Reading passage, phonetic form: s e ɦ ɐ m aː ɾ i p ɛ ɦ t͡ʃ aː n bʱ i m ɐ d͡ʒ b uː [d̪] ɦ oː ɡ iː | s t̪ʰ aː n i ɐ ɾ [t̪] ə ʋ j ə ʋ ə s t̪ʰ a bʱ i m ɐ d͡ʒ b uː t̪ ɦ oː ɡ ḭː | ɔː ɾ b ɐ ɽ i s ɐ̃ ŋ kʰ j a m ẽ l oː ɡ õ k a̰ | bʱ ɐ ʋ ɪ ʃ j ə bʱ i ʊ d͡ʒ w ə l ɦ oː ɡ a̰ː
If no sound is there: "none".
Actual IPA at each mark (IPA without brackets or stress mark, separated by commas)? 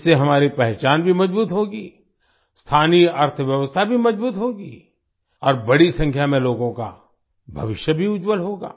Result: t̪, t̪ʰ